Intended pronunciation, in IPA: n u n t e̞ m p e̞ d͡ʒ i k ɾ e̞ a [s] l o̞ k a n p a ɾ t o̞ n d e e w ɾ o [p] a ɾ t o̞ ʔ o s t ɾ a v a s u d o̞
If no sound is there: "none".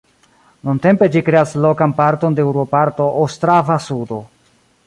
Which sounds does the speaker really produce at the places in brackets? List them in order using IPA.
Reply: s, p

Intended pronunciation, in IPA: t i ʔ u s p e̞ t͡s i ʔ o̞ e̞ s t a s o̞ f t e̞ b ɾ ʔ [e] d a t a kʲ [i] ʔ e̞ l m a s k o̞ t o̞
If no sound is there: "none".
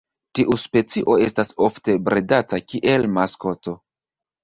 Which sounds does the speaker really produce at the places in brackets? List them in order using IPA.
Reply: e, i

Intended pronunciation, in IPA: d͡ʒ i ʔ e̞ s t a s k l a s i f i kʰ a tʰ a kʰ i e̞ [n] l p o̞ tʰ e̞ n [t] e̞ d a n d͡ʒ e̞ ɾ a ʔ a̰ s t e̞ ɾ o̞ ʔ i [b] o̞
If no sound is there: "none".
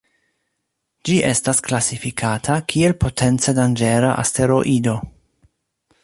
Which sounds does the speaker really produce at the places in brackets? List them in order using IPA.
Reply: none, t͡s, d

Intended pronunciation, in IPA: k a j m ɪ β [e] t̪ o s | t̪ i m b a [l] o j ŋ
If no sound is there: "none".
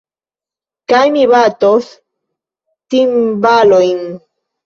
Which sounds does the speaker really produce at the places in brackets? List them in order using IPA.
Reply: a, l

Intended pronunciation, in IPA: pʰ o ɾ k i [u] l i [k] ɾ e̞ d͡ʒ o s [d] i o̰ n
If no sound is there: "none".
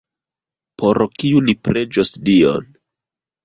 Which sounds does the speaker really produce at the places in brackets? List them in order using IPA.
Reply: u, p, d

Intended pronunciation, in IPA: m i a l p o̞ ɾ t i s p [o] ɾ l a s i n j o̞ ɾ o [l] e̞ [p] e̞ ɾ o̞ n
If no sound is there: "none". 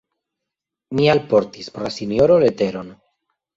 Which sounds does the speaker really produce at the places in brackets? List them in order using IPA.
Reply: o, l, t

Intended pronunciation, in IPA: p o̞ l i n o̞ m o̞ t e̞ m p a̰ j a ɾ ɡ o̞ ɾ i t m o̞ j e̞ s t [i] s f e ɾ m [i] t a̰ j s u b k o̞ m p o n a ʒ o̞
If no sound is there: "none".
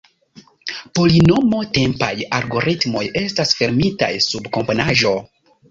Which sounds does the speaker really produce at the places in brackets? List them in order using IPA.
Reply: a, i

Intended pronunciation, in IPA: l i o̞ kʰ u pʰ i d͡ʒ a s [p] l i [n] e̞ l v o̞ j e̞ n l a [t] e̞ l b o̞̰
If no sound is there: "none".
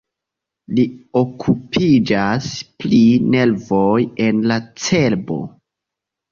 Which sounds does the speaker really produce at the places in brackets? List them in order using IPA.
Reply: p, n, t͡s

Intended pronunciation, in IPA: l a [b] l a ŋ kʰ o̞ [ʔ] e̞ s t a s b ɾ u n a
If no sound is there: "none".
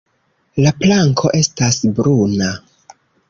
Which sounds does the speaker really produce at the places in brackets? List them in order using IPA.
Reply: p, ʔ

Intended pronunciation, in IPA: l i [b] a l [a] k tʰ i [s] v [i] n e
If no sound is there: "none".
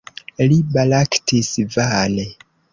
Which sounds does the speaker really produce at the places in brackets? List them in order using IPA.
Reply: b, a, s, a

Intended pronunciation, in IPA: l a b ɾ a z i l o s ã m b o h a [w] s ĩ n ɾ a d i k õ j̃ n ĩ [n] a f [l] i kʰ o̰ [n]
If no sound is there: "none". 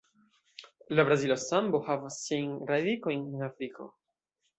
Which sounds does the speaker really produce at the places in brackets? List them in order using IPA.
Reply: v, n, ɾ, none

